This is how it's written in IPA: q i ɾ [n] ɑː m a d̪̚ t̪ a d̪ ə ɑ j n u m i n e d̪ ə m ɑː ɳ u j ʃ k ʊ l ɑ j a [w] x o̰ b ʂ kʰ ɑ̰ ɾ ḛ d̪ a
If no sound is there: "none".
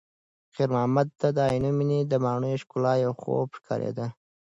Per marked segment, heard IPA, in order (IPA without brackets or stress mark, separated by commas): m, w